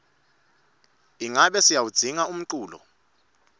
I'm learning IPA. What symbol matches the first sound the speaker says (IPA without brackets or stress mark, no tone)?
i